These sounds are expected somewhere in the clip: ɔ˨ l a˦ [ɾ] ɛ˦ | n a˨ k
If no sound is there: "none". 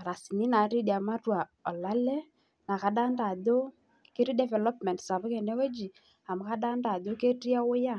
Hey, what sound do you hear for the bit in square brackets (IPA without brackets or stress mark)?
l